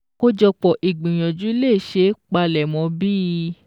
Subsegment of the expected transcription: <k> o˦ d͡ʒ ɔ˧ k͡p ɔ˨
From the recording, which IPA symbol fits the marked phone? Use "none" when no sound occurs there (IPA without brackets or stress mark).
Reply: k